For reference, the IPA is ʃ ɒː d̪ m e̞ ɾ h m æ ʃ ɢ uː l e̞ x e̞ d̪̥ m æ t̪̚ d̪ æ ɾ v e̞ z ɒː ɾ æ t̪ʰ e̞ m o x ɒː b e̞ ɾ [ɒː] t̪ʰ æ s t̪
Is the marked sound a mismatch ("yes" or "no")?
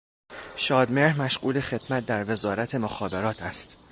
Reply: no